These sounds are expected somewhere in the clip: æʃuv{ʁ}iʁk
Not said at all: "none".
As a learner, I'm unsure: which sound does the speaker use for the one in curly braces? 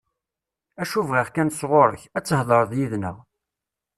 ʁ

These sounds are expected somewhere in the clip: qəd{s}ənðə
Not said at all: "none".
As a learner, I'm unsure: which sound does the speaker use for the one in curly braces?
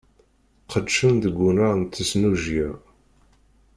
ʃ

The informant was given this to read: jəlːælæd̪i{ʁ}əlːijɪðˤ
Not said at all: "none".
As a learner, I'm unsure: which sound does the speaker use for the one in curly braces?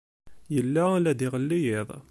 ʁ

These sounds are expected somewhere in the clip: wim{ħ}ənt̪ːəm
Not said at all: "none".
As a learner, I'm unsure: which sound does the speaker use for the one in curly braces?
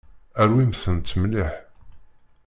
θ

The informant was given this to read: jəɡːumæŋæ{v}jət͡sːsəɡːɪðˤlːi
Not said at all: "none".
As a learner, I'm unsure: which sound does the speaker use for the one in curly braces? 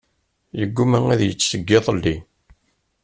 ð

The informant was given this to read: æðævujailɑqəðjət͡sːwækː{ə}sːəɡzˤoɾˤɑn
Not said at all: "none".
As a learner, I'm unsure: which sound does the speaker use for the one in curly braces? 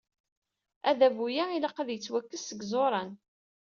ə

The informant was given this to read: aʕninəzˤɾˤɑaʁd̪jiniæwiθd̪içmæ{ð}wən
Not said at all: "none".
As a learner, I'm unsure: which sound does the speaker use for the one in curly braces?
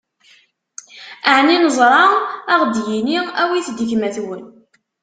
θ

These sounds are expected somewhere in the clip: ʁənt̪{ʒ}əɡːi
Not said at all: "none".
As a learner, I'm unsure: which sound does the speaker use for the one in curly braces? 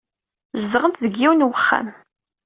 ð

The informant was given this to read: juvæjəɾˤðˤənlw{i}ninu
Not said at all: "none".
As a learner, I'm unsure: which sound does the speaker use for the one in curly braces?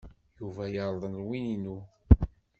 i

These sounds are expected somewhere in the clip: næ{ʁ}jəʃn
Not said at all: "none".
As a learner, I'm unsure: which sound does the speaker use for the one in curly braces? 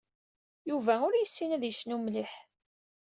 ð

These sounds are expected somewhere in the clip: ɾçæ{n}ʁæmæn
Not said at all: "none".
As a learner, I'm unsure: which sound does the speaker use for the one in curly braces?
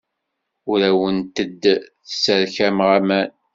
m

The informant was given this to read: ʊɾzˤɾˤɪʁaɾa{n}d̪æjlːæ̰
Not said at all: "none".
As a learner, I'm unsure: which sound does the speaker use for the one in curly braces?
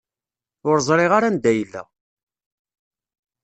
n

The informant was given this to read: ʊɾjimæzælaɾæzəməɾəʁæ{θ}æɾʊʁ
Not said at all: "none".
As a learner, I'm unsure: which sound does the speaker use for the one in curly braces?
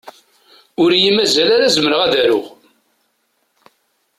ð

